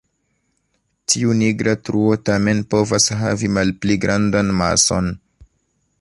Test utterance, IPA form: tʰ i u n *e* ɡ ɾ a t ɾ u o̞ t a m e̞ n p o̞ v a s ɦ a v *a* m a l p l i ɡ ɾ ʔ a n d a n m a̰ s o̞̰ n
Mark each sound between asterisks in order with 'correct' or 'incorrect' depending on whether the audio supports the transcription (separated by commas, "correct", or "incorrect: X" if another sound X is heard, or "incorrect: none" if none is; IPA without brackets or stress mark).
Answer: incorrect: i, incorrect: i